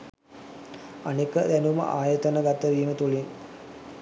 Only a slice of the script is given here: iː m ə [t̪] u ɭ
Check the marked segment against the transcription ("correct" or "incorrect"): correct